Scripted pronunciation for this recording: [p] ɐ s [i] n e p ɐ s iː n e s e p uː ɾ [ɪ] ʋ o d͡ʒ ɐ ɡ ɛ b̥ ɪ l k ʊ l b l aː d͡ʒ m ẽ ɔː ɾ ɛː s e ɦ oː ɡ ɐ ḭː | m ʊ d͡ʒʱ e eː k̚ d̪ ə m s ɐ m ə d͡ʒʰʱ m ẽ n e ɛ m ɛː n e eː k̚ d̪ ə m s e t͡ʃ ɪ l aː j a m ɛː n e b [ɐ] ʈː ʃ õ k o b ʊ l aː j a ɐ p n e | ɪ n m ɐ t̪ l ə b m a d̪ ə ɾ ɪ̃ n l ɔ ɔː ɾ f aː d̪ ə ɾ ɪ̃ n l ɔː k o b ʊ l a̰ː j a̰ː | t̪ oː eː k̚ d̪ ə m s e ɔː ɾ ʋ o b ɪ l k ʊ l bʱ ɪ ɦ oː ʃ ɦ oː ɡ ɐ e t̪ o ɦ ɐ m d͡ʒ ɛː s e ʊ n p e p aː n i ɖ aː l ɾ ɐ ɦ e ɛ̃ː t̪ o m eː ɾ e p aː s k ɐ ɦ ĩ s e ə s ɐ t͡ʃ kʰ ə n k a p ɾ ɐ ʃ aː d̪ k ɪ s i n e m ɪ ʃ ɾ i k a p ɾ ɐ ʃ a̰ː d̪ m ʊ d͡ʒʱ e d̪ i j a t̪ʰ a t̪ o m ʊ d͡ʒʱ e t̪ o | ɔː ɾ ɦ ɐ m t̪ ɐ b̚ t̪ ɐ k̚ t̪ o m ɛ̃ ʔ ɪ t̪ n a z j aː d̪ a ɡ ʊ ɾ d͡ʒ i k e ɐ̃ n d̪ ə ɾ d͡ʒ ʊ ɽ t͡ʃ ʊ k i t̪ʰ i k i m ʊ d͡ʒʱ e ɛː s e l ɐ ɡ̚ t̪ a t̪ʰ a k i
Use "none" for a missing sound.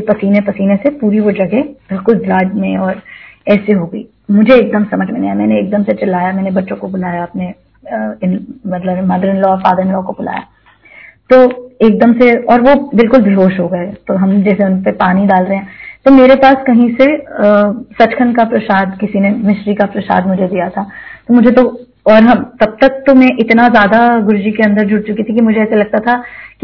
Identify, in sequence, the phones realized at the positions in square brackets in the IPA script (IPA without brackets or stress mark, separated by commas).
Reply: p, iː, i, ɐ